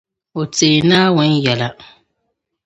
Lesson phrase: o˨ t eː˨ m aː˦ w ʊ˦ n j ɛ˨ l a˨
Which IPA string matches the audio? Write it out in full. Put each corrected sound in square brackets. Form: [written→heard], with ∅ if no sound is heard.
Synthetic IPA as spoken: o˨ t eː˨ [m→n] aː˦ w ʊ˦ n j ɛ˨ l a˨